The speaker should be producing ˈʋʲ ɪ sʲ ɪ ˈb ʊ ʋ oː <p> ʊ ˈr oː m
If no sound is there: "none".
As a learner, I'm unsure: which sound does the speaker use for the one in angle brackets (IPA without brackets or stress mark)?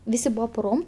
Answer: p